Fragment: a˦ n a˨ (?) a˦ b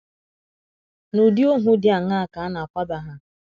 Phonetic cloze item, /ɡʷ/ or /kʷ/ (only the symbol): kʷ